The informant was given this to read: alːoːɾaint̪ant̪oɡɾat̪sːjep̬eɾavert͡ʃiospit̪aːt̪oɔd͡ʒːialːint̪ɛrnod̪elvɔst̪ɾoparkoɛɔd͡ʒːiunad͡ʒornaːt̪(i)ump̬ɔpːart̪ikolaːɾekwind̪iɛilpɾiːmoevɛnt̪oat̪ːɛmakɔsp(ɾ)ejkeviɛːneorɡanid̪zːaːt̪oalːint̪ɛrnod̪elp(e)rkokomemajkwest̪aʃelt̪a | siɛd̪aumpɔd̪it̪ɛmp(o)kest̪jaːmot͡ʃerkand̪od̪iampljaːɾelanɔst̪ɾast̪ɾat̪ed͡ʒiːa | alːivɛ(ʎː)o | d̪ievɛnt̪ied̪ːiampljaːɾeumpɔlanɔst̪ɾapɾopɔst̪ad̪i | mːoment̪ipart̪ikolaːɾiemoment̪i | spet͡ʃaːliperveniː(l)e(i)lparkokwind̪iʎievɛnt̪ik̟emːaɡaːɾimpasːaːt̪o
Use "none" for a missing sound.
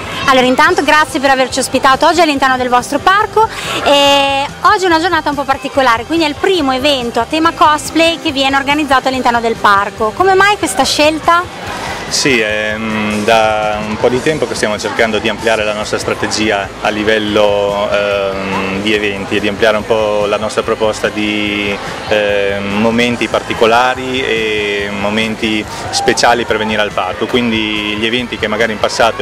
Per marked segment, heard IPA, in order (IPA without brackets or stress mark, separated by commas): a, l, a, o, lː, ɾ, a